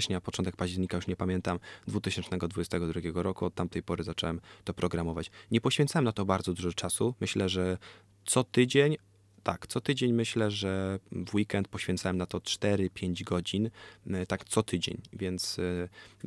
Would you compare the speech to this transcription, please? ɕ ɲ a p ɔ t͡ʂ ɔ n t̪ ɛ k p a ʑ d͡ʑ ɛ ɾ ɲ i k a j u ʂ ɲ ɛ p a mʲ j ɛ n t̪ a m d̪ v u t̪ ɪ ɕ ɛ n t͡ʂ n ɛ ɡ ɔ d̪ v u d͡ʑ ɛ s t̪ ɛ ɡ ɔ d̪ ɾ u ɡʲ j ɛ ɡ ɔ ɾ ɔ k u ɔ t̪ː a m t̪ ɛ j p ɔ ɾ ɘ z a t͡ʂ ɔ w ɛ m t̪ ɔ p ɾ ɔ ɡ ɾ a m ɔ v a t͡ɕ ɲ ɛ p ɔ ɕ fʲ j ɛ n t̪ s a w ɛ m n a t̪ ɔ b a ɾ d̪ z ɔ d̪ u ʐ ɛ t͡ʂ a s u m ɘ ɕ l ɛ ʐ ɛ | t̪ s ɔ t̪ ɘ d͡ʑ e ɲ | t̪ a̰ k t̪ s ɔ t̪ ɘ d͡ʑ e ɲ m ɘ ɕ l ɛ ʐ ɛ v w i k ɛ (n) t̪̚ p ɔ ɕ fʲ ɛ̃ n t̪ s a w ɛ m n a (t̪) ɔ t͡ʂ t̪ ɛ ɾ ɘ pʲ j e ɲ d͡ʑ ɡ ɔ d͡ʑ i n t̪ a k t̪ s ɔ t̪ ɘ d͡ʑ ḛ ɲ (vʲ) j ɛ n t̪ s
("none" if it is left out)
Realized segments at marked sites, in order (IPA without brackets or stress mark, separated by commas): n, t̪, vʲ